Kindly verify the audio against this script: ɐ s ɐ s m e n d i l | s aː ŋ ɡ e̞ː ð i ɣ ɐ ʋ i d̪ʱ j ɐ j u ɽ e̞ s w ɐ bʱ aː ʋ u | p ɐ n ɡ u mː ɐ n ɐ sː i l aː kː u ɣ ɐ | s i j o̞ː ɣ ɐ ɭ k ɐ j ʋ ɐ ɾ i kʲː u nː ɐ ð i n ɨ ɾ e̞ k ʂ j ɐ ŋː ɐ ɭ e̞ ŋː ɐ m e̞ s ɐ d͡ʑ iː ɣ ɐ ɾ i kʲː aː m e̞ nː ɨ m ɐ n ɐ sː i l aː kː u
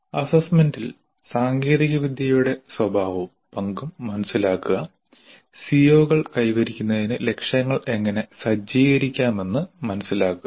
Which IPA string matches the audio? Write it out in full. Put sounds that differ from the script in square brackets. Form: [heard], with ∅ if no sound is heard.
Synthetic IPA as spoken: ɐ s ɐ s m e n d i l | s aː ŋ ɡ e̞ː ð i ɣ ɐ ʋ i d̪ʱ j ɐ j u ɽ e̞ s w ɐ bʱ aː ʋ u | p ɐ [ŋ] ɡ u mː ɐ n ɐ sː i l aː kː u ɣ ɐ | s i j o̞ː ɣ ɐ ɭ k ɐ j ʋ ɐ ɾ i kʲː u nː ɐ ð i n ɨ [l] e̞ k ʂ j ɐ ŋː ɐ ɭ e̞ ŋː ɐ [n] e̞ s ɐ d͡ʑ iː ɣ ɐ ɾ i kʲː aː m e̞ nː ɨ m ɐ n ɐ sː i l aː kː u